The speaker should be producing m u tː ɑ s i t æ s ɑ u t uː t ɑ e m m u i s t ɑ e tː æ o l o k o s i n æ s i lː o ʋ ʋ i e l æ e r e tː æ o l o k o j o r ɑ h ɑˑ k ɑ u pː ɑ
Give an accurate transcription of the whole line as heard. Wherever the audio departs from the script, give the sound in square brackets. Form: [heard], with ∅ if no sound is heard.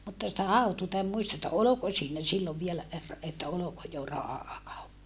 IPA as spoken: m u tː ɑ s i t æ [h] ɑ u t uː t ɑ e m m u i s t ɑ e tː æ o l o k o s [iː] n æ s i lː o ʋ ʋ i e l æ e r e tː æ o l o k o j o r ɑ h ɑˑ k ɑ u pː ɑ